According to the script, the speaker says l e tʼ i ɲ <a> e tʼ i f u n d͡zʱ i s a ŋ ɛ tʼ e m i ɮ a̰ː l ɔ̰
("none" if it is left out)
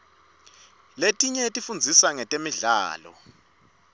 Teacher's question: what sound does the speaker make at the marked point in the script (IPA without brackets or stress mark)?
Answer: ɛ